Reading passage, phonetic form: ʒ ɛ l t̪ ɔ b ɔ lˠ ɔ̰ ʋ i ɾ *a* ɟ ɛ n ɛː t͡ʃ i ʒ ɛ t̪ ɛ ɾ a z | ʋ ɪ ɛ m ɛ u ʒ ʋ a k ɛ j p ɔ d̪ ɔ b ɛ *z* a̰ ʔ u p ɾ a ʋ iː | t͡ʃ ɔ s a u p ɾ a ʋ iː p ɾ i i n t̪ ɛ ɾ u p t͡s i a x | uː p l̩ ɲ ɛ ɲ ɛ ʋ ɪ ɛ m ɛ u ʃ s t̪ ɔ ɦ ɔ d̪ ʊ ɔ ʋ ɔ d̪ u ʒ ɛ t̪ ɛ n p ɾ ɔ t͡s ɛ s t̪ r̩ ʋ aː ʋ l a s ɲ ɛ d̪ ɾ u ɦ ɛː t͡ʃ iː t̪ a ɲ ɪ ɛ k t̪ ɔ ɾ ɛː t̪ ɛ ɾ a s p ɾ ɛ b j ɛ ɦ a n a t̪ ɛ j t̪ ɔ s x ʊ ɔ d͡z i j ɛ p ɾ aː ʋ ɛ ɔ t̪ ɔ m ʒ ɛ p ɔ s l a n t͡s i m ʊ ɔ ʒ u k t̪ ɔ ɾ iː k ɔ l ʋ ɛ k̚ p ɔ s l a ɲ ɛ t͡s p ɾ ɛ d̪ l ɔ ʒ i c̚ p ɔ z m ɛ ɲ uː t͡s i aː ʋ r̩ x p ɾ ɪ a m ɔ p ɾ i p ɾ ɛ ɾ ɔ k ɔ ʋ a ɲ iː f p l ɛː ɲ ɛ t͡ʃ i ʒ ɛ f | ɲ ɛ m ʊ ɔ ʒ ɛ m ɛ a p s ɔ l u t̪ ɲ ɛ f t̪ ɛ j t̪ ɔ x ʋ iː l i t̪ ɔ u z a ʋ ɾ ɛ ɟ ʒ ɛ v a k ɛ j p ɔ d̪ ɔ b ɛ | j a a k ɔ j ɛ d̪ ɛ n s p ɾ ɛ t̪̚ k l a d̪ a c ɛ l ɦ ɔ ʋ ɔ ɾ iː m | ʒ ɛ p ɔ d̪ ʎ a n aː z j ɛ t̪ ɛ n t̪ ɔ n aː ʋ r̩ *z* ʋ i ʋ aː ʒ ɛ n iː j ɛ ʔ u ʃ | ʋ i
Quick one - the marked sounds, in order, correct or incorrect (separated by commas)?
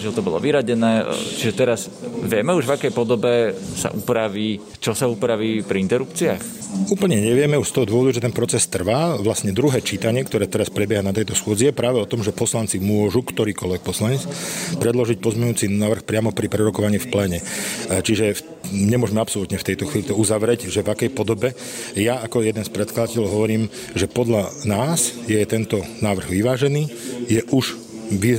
correct, incorrect, incorrect